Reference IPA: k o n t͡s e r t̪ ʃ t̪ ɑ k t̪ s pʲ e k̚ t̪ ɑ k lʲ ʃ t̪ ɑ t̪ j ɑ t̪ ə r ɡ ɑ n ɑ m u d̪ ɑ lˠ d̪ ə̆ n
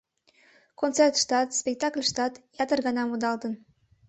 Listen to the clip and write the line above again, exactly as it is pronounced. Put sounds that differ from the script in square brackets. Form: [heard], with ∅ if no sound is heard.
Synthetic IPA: k o n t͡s e r t̪ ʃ t̪ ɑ [∅] t̪ s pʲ e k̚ t̪ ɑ k lʲ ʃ t̪ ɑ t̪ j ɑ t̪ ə r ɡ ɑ n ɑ m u d̪ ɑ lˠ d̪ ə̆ n